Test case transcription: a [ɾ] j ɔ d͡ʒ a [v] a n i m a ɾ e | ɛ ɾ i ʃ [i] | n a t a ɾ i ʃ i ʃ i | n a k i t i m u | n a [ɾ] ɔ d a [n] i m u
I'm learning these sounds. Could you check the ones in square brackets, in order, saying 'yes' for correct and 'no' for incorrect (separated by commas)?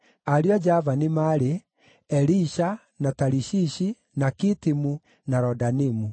yes, yes, no, yes, yes